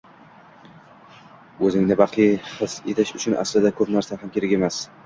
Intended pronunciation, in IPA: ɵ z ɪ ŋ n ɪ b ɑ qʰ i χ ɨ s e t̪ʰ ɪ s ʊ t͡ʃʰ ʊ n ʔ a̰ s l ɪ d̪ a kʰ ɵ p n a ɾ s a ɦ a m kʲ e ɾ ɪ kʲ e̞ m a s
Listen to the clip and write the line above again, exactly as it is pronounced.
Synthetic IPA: ɵ z ɪ ŋ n ɪ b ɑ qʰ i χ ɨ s e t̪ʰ ɪ ʃ ʊ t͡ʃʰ ʊ n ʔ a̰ s l ɪ d̪ a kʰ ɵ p n a ɾ s a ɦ a m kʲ e ɾ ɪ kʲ e̞ m a s